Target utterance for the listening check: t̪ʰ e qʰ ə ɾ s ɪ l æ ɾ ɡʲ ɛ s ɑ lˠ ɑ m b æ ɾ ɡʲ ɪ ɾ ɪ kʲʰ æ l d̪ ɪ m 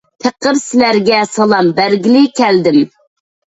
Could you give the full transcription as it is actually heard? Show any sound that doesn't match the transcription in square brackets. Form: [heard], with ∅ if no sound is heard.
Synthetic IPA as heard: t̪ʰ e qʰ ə ɾ s ɪ l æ ɾ ɡʲ ɛ s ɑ lˠ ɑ m b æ ɾ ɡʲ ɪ [l] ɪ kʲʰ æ l d̪ ɪ m